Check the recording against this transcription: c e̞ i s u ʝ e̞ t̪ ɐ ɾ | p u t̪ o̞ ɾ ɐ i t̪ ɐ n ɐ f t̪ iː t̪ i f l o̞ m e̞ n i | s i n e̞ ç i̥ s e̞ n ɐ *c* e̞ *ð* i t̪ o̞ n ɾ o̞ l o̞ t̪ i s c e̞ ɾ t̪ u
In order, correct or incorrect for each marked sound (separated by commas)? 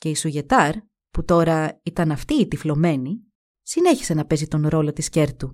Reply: incorrect, incorrect